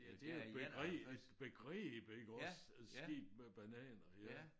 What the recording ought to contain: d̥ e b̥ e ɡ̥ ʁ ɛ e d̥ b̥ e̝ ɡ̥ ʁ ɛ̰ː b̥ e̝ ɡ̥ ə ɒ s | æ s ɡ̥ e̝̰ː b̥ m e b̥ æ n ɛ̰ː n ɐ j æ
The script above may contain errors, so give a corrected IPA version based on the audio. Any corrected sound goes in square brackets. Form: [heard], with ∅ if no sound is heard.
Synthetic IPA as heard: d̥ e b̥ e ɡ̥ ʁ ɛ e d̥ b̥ e̝ ɡ̥ ʁ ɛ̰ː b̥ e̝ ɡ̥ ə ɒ s | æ s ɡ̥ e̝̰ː b̥ m e b̥ æ n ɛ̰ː n ɐ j æ